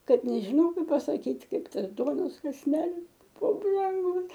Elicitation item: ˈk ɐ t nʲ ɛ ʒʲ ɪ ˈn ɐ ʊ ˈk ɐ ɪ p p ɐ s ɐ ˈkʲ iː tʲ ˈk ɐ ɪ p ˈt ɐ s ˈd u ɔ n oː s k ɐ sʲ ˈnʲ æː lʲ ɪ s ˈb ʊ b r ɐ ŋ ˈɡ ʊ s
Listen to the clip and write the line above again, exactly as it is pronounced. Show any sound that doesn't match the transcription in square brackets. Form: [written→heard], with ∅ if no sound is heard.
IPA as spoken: ˈk ɐ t nʲ ɛ ʒʲ ɪ ˈn ɐ ʊ ˈk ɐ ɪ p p ɐ s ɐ ˈkʲ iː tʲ ˈk ɐ ɪ p ˈt ɐ s ˈd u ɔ n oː s k ɐ sʲ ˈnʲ æː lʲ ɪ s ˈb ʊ b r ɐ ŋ ˈɡ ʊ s